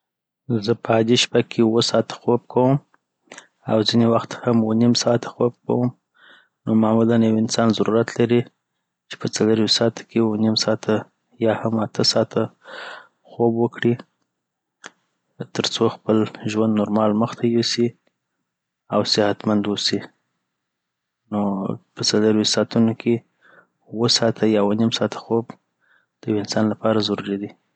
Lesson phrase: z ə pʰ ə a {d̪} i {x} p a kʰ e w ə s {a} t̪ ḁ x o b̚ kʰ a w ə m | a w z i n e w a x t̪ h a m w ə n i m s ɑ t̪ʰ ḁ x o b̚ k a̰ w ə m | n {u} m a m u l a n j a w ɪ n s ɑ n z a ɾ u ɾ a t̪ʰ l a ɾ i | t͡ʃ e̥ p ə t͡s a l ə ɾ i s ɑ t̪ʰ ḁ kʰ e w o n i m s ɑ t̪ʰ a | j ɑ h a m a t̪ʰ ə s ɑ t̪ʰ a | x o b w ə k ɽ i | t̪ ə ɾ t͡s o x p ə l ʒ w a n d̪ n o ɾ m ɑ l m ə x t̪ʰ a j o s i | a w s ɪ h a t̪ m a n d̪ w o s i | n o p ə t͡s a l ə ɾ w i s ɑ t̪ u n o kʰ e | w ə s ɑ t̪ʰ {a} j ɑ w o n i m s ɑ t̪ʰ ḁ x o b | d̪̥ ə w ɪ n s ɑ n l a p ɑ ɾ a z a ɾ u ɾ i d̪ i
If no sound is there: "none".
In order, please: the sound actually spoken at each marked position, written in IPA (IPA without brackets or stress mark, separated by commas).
d̪, ʃ, ɑ, o, a